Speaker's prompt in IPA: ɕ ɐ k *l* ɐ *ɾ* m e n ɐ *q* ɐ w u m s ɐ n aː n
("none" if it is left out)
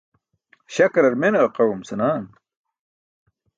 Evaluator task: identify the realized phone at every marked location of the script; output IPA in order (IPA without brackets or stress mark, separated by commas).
ɾ, ɾ, q